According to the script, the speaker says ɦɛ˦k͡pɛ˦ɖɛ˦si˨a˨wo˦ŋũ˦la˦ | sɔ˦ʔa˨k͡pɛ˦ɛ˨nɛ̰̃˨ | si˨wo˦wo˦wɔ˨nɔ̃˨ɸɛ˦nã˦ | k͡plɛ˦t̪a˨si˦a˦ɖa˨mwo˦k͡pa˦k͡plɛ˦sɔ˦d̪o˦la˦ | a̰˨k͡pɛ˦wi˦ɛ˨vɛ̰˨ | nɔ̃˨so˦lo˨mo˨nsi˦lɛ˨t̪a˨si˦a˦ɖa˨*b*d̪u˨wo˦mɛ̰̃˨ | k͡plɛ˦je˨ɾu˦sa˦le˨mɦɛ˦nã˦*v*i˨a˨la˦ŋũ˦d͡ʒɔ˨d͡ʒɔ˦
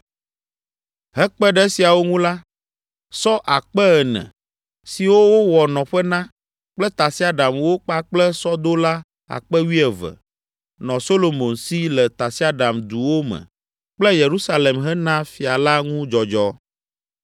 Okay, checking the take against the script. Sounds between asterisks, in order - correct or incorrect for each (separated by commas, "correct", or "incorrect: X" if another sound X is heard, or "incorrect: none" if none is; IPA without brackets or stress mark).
incorrect: m, incorrect: f